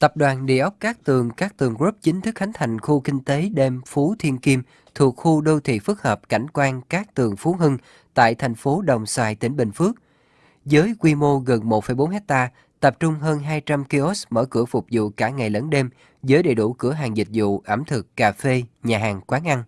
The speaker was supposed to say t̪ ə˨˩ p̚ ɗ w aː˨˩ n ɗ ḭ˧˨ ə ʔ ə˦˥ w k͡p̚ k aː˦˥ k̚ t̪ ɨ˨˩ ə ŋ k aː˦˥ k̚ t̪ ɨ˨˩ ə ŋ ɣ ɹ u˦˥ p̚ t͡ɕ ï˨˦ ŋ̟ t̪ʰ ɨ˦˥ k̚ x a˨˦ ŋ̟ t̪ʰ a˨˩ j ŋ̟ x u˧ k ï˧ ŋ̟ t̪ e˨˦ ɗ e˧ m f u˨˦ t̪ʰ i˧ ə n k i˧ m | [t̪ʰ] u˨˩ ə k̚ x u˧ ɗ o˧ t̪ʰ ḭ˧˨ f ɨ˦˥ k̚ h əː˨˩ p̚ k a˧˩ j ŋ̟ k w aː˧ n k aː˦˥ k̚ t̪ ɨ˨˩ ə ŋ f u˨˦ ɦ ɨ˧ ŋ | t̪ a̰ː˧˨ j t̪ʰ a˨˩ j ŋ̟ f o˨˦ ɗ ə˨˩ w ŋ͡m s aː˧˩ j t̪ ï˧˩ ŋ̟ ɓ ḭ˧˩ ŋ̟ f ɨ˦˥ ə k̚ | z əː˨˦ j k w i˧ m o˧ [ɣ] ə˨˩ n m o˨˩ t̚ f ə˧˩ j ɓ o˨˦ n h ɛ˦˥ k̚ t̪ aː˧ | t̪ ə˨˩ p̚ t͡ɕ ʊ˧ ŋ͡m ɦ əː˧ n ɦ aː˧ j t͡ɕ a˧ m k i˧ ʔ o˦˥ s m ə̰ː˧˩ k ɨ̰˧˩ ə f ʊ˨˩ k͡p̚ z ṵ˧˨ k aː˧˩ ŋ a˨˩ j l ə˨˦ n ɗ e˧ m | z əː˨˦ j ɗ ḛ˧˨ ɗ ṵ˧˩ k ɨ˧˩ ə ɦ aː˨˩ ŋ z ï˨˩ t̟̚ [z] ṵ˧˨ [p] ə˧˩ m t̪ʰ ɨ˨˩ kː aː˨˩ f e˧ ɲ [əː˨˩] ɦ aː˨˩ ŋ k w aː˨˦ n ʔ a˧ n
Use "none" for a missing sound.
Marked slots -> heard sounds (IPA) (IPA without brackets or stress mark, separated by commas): t̪ʰ, ɣ, z, ʔ, aː˨˩